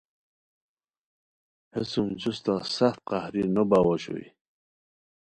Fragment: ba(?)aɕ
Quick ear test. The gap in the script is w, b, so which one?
w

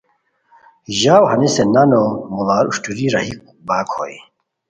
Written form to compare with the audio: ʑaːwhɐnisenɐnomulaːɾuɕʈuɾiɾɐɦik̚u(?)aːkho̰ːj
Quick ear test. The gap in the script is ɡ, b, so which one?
b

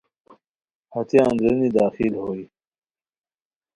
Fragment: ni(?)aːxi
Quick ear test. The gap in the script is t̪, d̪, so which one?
d̪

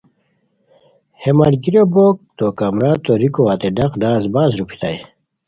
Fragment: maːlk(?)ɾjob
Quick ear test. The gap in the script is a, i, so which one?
i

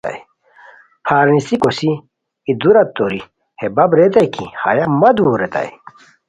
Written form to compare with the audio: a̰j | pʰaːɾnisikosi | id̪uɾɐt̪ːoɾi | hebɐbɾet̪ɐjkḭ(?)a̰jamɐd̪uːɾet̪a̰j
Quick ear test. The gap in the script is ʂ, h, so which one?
h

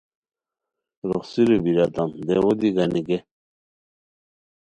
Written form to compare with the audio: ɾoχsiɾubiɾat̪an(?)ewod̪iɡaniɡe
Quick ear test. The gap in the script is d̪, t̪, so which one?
d̪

